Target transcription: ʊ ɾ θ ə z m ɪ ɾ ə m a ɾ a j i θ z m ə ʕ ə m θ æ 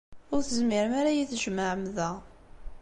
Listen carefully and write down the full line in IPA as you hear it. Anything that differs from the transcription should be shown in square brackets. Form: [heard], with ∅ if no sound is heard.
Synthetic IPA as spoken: ʊ ɾ θ ə z m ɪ ɾ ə m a ɾ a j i θ [ʒ] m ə ʕ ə m [ð] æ